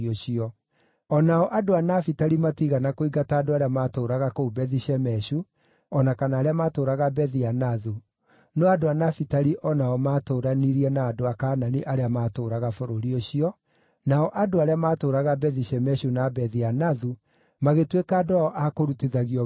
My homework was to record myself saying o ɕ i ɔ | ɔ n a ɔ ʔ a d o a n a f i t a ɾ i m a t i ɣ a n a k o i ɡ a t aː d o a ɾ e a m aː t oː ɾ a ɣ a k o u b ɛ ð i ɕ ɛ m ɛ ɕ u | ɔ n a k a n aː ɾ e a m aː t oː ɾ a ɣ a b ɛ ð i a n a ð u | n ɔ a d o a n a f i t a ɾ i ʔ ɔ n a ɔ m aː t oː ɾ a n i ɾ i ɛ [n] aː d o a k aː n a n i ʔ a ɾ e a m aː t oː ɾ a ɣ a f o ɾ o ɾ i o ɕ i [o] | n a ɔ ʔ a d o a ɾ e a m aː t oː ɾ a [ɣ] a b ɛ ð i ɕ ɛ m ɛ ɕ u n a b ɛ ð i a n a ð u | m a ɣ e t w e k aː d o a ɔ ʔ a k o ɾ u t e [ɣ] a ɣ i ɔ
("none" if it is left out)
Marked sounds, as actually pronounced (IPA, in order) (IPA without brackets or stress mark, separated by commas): n, ɔ, ɣ, ð